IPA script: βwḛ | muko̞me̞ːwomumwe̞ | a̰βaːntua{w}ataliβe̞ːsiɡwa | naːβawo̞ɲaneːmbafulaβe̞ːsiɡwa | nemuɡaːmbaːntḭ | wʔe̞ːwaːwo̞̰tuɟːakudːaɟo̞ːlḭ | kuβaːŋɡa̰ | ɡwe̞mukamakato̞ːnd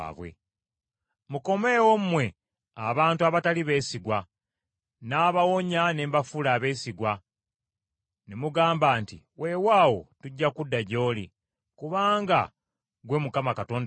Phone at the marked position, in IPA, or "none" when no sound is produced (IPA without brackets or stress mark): β